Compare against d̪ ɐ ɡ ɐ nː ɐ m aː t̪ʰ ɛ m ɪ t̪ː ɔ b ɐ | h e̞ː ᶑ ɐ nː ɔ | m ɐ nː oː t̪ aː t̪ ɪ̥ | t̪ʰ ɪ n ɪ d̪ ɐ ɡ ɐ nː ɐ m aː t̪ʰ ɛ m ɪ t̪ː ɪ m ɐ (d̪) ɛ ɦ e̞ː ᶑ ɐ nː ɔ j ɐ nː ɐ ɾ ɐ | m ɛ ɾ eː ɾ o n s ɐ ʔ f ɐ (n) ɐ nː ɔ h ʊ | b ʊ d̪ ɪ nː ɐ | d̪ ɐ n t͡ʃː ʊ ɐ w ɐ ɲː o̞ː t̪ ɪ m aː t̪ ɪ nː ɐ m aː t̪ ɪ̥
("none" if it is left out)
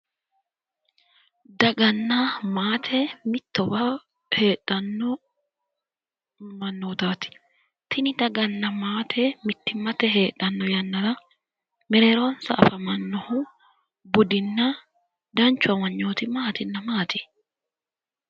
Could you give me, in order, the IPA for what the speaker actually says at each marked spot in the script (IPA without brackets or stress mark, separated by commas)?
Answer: t̪, m